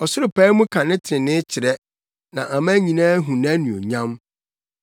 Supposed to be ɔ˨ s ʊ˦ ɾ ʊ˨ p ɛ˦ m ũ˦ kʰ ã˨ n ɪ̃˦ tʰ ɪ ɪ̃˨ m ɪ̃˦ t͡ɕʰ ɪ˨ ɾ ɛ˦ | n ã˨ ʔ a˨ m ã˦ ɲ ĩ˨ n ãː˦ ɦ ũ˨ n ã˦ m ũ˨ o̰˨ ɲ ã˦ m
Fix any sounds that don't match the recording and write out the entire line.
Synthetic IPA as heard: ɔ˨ s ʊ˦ ɾ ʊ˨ p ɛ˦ m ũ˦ kʰ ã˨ n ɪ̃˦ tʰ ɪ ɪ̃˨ n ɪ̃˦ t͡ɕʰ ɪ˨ ɾ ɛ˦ | n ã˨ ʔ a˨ m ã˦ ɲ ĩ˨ n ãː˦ ɦ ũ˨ n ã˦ n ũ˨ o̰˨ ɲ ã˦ m